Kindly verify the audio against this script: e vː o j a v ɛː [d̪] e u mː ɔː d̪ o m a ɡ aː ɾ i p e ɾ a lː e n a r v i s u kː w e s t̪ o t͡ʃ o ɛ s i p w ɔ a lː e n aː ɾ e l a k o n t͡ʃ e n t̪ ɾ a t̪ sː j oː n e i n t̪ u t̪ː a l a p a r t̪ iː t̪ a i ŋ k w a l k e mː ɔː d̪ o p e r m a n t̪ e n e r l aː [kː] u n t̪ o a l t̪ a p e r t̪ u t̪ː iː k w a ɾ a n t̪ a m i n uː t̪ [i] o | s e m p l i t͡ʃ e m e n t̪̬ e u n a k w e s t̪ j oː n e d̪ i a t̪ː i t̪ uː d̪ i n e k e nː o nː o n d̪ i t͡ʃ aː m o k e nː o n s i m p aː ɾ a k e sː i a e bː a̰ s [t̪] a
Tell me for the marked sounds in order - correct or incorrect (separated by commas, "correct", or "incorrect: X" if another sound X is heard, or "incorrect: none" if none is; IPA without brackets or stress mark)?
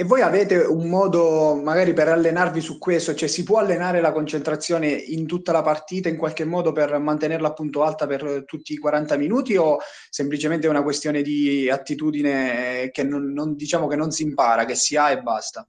incorrect: t̪, incorrect: pː, correct, correct